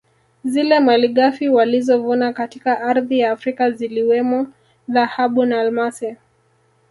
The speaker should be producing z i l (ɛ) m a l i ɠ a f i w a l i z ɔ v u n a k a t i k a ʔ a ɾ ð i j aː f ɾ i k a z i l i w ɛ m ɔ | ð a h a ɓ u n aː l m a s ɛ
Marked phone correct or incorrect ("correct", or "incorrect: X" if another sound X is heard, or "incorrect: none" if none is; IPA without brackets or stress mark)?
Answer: correct